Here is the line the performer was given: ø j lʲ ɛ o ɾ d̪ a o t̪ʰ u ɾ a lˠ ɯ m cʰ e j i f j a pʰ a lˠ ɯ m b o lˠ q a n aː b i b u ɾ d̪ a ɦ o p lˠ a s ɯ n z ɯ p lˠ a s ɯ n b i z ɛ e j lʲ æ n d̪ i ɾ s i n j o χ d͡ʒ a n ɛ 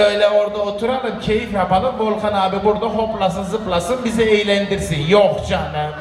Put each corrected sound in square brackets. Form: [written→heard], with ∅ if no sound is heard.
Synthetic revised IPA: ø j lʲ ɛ o ɾ d̪ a o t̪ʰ u ɾ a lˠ ɯ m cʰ e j i f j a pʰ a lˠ ɯ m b o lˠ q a n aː b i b u ɾ d̪ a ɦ o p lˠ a s ɯ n z ɯ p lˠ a s ɯ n b i z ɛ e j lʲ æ n d̪ i ɾ s i n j o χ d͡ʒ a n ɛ

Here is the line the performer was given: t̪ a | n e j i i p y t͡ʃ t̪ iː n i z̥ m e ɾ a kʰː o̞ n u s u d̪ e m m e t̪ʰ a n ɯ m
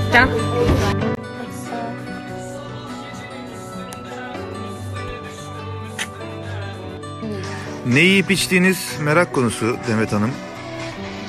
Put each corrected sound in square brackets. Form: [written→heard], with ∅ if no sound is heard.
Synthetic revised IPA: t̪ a | n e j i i p [y→i] t͡ʃ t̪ iː n i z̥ m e ɾ a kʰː o̞ n u s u d̪ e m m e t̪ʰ a n ɯ m

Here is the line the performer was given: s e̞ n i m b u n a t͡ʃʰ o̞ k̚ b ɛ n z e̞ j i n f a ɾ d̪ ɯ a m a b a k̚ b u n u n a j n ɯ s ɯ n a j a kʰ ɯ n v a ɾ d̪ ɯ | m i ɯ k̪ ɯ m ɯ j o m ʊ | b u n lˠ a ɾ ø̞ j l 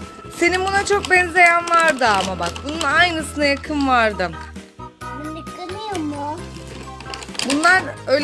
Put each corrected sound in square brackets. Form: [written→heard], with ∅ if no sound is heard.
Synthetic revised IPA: s e̞ n i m b u n a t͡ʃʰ o̞ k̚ b ɛ n z e̞ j [i→æ] n [f→v] a ɾ d̪ ɯ a m a b a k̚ b u n u n a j n ɯ s ɯ n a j a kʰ ɯ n v a ɾ d̪ ɯ | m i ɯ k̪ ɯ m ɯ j o m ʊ | b u n lˠ a ɾ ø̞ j l

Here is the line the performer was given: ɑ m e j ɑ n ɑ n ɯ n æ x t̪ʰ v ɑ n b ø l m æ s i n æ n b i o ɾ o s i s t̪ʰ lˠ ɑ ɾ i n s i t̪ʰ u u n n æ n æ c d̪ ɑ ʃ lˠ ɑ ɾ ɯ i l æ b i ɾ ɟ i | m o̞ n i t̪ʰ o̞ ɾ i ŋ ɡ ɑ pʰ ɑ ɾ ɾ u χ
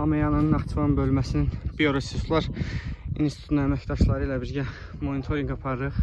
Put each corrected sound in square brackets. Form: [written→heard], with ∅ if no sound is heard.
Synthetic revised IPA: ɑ m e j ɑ n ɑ n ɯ n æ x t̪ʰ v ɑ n b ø l m æ s i n [æ→i] n b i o ɾ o s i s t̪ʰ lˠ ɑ ɾ i n s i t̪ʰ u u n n æ [n→m] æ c d̪ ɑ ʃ lˠ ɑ ɾ ɯ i l æ b i ɾ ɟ [i→æ] | m o̞ n i t̪ʰ o̞ ɾ i ŋ ɡ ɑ pʰ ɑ ɾ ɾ [u→ɯ] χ

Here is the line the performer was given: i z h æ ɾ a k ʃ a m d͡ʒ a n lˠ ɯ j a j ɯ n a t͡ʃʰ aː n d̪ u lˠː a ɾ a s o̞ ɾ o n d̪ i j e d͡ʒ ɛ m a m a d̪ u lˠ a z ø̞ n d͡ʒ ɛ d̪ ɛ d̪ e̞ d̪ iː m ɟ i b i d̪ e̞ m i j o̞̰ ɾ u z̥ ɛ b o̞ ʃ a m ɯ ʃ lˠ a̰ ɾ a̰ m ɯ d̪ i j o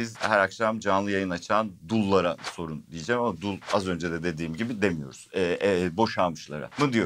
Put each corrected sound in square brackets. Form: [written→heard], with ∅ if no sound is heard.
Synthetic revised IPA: i z h æ ɾ a k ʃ a m d͡ʒ a n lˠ ɯ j a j ɯ n a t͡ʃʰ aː n d̪ u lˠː a ɾ a s o̞ ɾ [o→u] n d̪ i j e d͡ʒ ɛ m a m a d̪ u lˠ a z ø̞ n d͡ʒ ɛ d̪ ɛ d̪ e̞ d̪ iː m ɟ i b i d̪ e̞ m i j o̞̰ ɾ u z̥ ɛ b o̞ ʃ a m ɯ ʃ lˠ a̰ ɾ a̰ m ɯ d̪ i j o

